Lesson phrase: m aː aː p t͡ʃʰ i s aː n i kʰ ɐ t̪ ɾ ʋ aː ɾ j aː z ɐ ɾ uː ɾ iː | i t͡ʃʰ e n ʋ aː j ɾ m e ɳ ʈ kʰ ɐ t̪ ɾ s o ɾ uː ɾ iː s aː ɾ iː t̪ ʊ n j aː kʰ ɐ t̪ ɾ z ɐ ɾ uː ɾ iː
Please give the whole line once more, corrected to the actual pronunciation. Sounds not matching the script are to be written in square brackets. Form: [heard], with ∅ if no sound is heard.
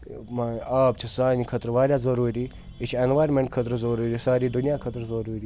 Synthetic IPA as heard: m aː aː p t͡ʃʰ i s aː n i kʰ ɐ t̪ ɾ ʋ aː ɾ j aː z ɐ ɾ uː ɾ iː | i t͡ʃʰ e n ʋ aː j ɾ m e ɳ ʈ kʰ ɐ t̪ ɾ [z] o ɾ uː ɾ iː s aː ɾ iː [d̪] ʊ n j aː kʰ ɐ t̪ ɾ z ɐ ɾ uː ɾ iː

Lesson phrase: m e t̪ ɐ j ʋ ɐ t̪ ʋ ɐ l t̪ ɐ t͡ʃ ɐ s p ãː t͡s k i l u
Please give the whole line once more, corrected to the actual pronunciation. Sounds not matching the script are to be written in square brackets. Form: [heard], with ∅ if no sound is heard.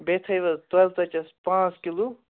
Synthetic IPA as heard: [b] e [t̪ʰ] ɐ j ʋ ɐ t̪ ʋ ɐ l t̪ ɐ t͡ʃ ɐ s p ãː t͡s k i l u

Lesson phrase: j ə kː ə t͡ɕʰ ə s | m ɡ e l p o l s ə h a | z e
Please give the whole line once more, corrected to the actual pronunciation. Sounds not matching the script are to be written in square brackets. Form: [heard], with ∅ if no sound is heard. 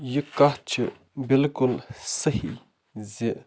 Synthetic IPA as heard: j ə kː [a] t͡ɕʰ ə [∅] | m [b] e l [k] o l s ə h [i] | z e

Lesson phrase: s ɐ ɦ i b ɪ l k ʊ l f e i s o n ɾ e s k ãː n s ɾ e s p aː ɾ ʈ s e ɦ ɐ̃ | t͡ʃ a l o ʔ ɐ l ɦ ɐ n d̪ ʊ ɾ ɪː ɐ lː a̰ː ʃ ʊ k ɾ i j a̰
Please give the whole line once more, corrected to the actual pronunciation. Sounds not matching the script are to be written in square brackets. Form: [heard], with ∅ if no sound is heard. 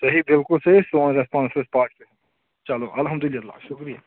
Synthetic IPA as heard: s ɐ ɦ i b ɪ l k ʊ l [s] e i s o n ɾ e s [p] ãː n s ɾ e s p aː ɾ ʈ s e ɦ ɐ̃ | t͡ʃ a l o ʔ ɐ l ɦ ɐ [m] d̪ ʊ [l] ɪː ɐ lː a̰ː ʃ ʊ k ɾ i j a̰

